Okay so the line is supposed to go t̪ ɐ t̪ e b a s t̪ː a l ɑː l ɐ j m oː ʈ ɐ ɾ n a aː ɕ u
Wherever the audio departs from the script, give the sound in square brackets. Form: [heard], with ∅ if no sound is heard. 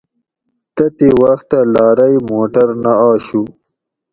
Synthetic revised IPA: t̪ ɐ t̪ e [w] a [x] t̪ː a l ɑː [ɾ] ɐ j m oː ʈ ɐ ɾ n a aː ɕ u